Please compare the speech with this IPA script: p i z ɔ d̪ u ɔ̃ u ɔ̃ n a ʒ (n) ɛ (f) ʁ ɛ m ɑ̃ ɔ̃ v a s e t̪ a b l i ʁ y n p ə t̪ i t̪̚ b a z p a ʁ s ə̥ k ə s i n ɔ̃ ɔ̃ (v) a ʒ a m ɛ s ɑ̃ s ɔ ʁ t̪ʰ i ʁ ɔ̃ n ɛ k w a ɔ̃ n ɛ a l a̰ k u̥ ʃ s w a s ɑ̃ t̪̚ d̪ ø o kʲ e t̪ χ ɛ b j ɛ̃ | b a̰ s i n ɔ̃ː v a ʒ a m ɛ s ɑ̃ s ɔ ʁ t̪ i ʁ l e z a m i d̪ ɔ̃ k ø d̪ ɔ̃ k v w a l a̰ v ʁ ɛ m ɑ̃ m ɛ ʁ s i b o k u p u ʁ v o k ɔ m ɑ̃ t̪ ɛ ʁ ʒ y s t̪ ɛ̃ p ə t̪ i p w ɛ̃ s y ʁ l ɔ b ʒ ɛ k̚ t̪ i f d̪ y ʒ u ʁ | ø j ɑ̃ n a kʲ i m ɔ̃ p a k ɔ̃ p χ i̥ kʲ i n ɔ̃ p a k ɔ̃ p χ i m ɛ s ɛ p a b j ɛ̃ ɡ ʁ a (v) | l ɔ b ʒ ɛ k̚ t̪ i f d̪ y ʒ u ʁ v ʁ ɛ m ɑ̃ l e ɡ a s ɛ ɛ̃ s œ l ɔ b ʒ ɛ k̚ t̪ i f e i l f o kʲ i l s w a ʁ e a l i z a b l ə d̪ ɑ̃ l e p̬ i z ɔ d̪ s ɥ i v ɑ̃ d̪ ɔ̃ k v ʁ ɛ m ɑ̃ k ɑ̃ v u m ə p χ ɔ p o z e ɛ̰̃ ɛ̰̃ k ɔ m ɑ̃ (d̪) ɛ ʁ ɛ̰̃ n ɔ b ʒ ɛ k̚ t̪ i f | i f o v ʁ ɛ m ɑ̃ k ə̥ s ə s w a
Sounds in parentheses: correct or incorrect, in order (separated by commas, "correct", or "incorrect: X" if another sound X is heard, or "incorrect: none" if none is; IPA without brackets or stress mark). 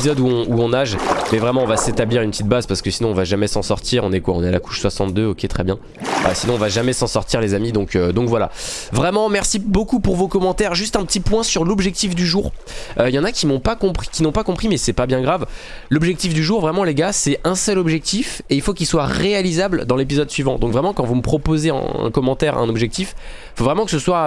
incorrect: m, incorrect: v, correct, correct, incorrect: t̪